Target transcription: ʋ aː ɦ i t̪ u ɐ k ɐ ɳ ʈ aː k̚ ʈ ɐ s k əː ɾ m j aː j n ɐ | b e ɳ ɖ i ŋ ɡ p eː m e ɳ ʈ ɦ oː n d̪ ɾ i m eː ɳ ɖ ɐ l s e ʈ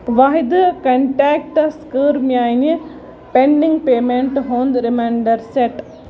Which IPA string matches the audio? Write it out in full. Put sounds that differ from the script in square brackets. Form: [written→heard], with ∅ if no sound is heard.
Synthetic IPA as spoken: ʋ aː ɦ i [t̪→d̪] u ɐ k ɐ ɳ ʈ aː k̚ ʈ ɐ s k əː ɾ m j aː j n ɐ | [b→p] e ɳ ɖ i ŋ ɡ p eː m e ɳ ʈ ɦ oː n d̪ ɾ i m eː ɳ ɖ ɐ [l→ɾ] s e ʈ